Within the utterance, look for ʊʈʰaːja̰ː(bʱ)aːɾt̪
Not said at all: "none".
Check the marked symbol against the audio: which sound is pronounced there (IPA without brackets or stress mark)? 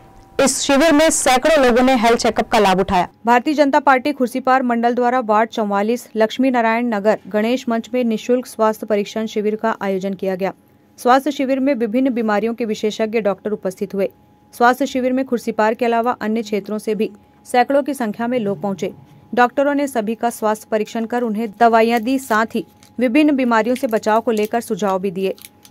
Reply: bʱ